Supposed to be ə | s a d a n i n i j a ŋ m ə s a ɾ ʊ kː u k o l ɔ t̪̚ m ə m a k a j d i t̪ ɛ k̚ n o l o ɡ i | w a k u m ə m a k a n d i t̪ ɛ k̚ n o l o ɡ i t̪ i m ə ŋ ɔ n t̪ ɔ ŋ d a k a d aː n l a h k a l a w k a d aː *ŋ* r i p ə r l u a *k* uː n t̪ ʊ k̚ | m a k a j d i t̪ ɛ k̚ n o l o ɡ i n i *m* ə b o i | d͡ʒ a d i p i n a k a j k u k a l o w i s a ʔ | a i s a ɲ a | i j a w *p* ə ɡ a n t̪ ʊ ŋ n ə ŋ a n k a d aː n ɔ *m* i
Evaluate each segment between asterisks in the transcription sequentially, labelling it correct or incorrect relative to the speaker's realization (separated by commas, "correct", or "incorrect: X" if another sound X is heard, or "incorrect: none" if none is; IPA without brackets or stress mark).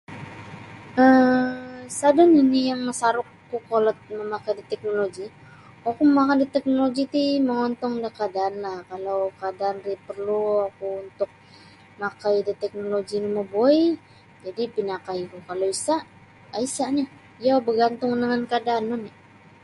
incorrect: n, correct, correct, incorrect: b, incorrect: n